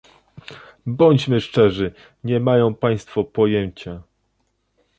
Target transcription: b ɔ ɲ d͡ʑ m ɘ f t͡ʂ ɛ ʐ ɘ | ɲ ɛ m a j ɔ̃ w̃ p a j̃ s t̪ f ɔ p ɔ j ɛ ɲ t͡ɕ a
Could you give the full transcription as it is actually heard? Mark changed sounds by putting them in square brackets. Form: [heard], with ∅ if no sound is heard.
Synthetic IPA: b ɔ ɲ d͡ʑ m ɘ [ʂ] t͡ʂ ɛ ʐ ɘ | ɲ ɛ m a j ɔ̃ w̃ p a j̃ s t̪ f ɔ p ɔ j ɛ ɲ t͡ɕ a